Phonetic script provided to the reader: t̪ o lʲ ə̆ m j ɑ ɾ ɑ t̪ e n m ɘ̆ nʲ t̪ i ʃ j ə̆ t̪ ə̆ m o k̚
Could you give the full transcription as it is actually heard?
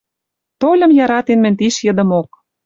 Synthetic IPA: t̪ o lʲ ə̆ m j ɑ ɾ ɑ t̪ e n m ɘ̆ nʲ t̪ i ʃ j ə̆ d̪ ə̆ m o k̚